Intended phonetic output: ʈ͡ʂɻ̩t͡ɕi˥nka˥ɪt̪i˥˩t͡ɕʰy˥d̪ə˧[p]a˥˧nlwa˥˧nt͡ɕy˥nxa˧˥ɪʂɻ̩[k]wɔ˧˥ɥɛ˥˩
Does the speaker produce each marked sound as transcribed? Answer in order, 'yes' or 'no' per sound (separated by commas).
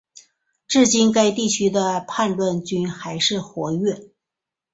no, no